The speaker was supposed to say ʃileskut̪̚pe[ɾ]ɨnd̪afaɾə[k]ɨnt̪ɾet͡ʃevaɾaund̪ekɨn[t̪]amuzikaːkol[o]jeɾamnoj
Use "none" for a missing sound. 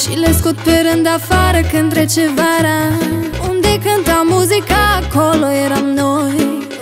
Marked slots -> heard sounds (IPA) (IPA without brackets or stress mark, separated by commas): ɾ, k, t̪, o